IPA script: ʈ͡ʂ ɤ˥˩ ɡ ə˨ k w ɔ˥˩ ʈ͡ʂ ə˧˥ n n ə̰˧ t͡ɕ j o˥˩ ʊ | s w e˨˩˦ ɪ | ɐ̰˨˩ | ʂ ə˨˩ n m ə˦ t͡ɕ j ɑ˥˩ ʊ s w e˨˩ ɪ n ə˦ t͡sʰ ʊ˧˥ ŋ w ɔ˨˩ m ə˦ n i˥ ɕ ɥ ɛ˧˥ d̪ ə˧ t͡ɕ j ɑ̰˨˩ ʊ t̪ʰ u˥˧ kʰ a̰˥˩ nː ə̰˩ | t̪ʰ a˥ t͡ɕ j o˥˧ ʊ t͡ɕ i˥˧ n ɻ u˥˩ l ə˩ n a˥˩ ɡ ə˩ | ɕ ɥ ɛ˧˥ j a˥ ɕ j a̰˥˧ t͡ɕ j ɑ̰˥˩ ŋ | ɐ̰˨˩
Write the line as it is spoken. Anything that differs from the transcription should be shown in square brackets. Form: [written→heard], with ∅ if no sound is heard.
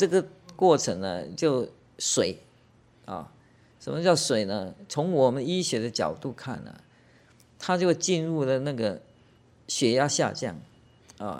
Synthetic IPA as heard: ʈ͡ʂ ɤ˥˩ ɡ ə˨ k w ɔ˥˩ [ʈ͡ʂ→ʈ͡ʂʰ] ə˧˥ [n→ŋ] n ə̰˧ t͡ɕ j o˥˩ ʊ | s w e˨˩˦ ɪ | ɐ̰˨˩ | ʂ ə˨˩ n m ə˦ t͡ɕ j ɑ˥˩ ʊ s w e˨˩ ɪ n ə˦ t͡sʰ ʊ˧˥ ŋ w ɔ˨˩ m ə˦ n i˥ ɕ ɥ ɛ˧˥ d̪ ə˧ t͡ɕ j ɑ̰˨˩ ʊ [t̪ʰ→t̪] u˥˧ kʰ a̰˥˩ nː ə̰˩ | t̪ʰ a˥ t͡ɕ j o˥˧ ʊ t͡ɕ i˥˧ n ɻ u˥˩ l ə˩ n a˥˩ ɡ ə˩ | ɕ ɥ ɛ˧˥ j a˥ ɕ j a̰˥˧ t͡ɕ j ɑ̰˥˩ ŋ | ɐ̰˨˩